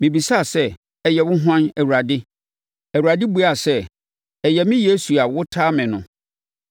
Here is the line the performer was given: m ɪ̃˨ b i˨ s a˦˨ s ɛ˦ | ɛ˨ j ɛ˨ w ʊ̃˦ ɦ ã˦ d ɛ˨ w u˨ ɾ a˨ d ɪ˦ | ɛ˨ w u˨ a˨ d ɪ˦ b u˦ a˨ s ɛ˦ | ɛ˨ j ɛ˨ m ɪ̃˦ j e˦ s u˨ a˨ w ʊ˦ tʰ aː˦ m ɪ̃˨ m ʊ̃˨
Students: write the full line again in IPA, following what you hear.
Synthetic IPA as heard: m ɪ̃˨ b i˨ s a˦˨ s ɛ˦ | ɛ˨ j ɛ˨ w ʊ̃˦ ɦ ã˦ n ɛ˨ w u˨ ɾ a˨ d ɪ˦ | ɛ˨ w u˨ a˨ d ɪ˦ b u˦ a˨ s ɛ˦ | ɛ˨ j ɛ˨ m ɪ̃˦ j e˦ s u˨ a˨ w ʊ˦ tʰ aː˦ m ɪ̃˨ n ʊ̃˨